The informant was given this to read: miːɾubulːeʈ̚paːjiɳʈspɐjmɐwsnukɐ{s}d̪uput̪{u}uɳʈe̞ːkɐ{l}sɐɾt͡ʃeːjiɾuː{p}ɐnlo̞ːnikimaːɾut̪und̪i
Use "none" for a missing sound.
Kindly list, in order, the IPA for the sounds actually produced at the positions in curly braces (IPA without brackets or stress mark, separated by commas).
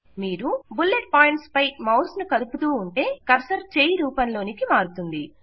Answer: none, uː, ɾ, p